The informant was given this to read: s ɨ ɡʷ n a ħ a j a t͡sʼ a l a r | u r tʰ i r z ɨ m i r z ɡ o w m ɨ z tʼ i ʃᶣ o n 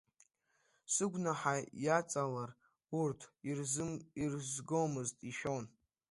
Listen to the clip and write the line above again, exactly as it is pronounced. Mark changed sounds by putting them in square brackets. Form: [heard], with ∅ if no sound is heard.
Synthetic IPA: s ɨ ɡʷ n a ħ a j a t͡sʼ a l a r | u r tʰ i r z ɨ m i r z ɡ o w m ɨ z tʼ i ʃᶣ o n